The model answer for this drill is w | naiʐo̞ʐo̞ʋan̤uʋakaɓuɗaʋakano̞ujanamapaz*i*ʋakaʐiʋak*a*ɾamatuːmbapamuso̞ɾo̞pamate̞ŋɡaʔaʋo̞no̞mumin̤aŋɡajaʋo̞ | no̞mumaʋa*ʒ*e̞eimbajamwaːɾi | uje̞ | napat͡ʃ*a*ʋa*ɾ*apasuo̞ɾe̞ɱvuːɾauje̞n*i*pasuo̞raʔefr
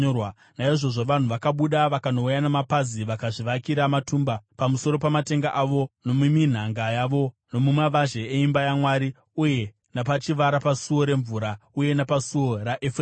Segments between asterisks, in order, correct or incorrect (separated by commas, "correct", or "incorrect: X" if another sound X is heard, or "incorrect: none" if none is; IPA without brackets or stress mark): correct, incorrect: i, correct, incorrect: i, correct, incorrect: a